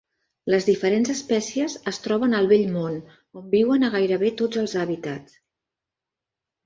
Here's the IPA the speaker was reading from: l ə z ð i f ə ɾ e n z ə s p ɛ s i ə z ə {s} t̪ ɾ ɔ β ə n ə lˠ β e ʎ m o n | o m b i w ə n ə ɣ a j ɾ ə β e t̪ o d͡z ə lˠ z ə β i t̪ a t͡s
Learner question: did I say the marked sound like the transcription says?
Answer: yes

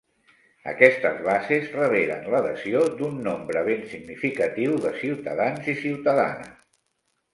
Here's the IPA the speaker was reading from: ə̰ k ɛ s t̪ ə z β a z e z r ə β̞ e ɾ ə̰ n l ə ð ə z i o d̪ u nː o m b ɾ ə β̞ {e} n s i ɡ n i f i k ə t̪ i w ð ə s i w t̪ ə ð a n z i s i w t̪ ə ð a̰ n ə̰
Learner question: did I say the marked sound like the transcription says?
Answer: yes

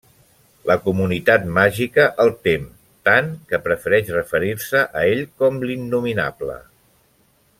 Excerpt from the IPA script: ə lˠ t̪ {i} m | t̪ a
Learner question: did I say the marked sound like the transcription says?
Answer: no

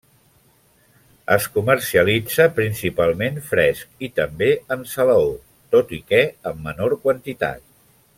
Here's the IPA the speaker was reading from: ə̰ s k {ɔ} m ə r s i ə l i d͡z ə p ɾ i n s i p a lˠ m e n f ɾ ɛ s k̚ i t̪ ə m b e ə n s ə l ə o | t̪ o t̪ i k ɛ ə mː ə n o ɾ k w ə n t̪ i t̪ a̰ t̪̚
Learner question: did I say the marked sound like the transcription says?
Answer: no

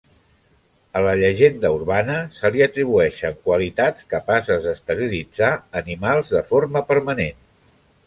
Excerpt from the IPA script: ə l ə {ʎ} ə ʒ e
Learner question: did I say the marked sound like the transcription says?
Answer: yes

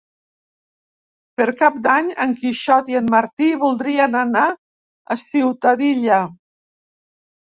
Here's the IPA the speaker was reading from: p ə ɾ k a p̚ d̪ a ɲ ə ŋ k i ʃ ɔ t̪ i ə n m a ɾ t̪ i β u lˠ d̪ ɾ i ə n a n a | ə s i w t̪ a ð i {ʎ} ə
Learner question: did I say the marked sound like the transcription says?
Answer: yes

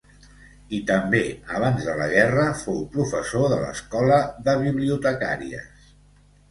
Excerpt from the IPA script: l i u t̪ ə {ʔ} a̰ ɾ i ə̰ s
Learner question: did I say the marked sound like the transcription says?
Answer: no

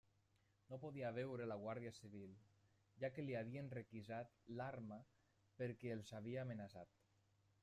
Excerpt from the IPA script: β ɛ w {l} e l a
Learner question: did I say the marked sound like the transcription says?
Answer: no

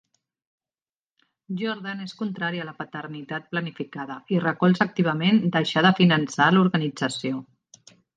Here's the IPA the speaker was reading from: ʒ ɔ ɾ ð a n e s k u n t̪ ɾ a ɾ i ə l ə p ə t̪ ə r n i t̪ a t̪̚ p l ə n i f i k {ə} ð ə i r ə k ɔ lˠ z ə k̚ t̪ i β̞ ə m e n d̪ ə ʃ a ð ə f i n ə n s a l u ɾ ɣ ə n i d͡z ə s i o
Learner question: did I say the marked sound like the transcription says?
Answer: no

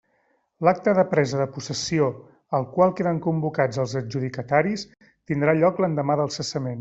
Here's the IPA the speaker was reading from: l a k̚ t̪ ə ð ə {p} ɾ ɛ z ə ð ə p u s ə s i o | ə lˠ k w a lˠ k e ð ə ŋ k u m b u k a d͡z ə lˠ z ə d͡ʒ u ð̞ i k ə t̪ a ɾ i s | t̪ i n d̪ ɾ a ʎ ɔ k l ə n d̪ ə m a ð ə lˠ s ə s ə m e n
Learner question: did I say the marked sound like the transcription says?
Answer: yes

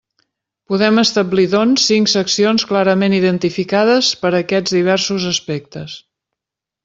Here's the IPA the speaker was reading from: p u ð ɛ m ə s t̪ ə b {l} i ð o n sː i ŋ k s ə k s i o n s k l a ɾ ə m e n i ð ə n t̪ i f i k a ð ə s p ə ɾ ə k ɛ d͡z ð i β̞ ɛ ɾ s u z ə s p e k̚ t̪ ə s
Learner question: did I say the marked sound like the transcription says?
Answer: yes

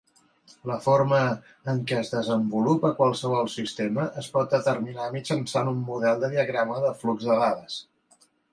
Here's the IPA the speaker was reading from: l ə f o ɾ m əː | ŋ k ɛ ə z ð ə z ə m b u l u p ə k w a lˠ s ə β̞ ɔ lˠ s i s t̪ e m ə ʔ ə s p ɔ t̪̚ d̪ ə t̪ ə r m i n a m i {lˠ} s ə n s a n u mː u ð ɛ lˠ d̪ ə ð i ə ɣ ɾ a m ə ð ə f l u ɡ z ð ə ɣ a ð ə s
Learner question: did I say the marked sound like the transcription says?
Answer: no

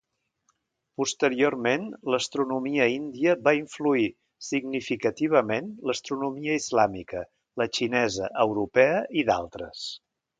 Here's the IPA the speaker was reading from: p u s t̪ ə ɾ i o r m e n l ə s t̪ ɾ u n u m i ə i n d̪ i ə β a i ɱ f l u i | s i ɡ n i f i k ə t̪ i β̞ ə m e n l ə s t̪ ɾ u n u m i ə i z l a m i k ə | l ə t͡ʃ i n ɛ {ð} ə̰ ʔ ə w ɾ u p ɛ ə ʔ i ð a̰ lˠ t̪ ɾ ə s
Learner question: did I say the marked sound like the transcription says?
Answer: no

